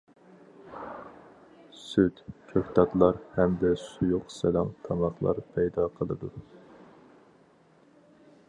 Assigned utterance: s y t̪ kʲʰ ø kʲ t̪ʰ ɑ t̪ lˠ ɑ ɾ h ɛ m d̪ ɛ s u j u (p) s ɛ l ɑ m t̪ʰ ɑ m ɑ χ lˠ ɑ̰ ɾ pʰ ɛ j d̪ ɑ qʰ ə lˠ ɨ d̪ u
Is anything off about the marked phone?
yes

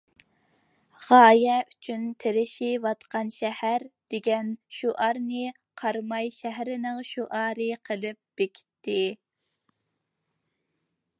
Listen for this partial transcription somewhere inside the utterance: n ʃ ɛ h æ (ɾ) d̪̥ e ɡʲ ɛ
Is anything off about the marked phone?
no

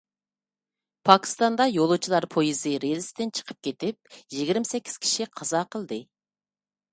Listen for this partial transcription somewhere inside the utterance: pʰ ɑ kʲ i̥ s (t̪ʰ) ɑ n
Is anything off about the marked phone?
yes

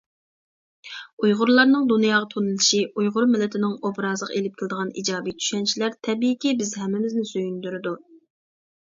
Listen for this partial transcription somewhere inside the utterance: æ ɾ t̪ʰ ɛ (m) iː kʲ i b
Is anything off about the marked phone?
yes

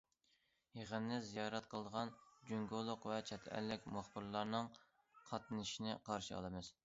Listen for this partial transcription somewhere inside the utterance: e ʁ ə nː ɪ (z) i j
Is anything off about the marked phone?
no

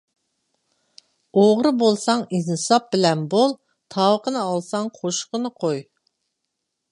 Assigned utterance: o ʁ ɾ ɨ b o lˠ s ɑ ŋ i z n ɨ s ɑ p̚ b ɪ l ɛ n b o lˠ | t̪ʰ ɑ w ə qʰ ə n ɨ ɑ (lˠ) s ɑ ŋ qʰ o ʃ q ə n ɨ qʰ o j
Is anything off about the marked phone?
no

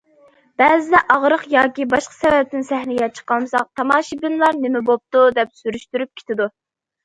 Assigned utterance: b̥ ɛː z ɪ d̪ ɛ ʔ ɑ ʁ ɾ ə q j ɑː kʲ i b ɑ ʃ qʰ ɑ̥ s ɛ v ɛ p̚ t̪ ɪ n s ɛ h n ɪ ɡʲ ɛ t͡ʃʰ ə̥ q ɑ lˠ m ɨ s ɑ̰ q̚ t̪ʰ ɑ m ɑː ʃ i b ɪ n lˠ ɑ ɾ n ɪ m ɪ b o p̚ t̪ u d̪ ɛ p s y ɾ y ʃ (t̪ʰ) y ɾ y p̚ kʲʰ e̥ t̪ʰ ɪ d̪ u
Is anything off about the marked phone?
yes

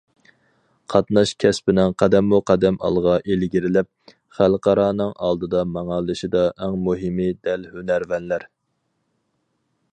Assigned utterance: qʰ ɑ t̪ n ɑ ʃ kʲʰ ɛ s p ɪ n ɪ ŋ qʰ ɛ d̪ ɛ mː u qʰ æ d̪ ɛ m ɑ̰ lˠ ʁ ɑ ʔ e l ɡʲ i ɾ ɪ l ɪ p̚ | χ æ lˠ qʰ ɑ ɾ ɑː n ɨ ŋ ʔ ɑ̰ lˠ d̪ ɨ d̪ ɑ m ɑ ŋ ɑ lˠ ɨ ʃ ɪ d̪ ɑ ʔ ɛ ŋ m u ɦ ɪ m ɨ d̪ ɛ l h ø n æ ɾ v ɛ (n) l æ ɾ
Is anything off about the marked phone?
no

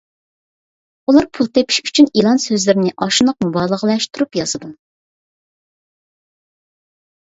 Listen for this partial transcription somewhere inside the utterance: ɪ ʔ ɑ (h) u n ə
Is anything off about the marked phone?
yes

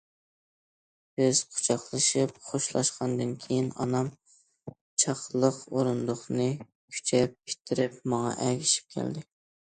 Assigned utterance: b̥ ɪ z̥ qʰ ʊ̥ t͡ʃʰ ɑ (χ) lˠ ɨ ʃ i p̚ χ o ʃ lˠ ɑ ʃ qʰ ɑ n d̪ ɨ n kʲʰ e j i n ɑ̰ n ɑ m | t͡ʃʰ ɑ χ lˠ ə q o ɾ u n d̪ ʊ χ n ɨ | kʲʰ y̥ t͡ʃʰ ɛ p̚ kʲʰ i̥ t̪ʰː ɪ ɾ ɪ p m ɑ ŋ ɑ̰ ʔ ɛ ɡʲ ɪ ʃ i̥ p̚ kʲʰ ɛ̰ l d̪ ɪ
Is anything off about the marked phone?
no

